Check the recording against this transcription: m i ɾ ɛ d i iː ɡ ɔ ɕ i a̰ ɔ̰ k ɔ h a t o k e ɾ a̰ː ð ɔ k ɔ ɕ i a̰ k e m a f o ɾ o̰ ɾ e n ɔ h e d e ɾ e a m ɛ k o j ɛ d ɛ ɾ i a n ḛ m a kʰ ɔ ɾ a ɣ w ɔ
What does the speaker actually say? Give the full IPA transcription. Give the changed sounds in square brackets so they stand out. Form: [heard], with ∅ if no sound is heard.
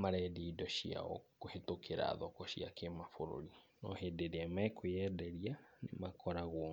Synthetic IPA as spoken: m [a] ɾ ɛ d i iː [d] ɔ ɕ i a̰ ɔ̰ k [o] h [e] t o k e ɾ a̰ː ð ɔ k ɔ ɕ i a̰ k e m a f o ɾ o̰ ɾ [i] n ɔ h e d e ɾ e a m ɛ k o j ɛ d ɛ ɾ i a n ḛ m a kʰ ɔ ɾ a ɣ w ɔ